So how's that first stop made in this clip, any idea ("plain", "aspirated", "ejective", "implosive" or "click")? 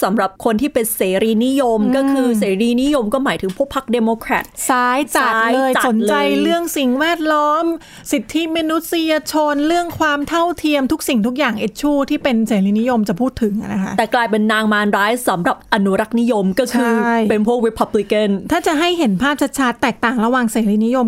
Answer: plain